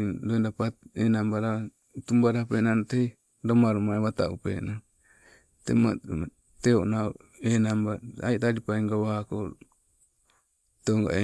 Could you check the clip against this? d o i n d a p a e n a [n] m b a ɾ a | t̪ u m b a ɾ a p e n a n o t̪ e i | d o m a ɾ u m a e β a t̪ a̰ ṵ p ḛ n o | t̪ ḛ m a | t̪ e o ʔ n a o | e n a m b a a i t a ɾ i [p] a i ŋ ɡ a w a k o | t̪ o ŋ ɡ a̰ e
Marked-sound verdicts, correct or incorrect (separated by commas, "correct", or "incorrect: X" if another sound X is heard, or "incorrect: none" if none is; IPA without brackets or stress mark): incorrect: none, correct